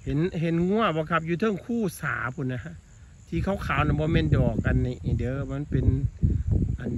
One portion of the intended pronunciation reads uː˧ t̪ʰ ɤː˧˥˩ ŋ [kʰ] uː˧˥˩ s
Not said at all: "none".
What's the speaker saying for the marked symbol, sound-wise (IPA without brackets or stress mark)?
kʰ